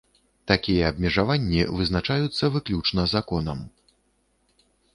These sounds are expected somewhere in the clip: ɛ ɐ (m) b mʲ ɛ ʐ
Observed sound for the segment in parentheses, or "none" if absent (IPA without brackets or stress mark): none